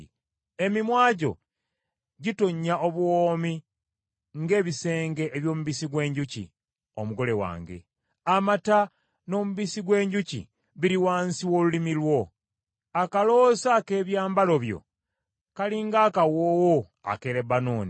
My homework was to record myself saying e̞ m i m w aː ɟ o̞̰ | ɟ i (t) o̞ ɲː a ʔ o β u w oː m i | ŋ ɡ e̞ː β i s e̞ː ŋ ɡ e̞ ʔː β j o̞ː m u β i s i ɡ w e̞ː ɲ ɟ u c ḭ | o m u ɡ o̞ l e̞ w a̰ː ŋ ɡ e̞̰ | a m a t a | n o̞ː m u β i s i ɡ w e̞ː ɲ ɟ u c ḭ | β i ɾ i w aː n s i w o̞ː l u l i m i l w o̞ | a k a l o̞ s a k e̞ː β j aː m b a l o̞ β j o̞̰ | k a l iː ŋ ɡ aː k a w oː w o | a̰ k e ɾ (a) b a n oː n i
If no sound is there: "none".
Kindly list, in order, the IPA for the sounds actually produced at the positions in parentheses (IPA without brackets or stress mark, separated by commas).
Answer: t, e